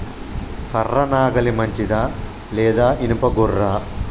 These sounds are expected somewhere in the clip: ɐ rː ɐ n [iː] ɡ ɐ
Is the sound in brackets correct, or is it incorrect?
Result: incorrect